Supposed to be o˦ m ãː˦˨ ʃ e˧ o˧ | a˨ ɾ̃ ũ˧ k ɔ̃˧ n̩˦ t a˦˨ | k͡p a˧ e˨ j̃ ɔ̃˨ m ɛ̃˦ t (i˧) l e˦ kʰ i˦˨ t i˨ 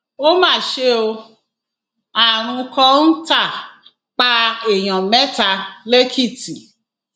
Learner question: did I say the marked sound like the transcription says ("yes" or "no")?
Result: no